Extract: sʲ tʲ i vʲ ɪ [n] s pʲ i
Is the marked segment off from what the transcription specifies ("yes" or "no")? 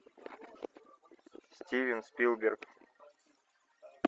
no